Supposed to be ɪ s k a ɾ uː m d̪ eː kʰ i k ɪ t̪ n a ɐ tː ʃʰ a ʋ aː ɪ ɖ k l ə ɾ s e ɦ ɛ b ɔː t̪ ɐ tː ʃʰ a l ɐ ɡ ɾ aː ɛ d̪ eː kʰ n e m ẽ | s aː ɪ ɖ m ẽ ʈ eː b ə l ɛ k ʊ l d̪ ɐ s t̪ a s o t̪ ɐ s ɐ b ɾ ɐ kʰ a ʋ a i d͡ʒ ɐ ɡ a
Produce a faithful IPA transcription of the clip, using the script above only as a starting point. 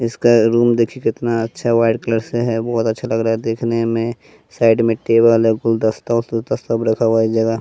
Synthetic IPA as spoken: ɪ s k a ɾ uː m d̪ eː kʰ i k ɪ t̪ n a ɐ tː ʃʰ a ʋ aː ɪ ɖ k l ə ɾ s e ɦ ɛ b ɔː t̪ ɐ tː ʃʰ a l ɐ ɡ ɾ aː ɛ d̪ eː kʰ n e m ẽ | s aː ɪ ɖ m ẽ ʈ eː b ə l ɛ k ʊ l d̪ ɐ s t̪ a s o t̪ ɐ s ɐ b ɾ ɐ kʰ a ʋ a i d͡ʒ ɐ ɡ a

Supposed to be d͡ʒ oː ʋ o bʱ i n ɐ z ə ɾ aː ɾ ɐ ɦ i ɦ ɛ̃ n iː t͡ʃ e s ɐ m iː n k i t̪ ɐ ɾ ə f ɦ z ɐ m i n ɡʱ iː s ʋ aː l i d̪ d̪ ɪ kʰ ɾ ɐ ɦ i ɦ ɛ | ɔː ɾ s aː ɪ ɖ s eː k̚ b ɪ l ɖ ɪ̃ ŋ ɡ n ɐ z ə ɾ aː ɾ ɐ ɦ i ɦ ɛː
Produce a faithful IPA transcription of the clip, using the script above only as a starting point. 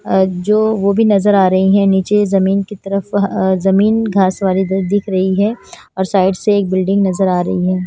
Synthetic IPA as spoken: d͡ʒ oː ʋ o bʱ i n ɐ z ə ɾ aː ɾ ɐ ɦ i ɦ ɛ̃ n iː t͡ʃ e z ɐ m iː n k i t̪ ɐ ɾ ə f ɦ z ɐ m iː n ɡʱ aː s ʋ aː l i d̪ d̪ ɪ kʰ ɾ ɐ ɦ i ɦ ɛ | ɔː ɾ s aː ɪ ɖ s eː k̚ b ɪ l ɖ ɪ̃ ŋ ɡ n ɐ z ə ɾ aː ɾ ɐ ɦ i ɦ ɛː

